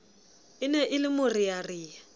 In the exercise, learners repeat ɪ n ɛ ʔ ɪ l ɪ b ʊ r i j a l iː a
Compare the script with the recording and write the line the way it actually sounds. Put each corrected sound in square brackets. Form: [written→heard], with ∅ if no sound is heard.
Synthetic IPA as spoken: ɪ n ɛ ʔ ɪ l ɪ [b→m] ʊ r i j a [l→r] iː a